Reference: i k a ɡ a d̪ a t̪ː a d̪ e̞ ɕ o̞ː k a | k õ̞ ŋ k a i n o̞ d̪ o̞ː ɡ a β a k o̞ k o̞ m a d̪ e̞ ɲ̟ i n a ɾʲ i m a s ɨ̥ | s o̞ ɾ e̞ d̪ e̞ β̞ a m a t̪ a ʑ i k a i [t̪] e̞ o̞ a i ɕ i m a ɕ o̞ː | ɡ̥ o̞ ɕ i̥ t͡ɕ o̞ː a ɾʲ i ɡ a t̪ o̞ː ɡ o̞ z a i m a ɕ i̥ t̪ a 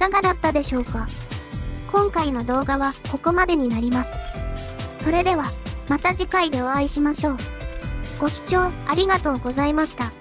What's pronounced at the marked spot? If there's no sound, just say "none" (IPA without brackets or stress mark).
d̪